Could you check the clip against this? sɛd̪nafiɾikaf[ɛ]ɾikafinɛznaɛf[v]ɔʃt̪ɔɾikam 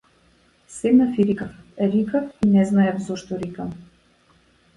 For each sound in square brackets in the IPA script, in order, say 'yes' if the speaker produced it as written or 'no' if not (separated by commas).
yes, no